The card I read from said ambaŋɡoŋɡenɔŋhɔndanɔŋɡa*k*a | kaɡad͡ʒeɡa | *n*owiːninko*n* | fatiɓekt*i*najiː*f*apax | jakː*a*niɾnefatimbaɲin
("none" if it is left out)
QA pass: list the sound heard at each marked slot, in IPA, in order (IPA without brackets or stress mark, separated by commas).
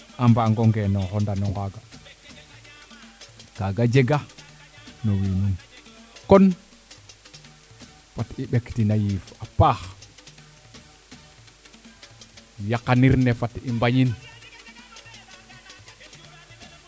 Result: ɡ, n, n, i, f, a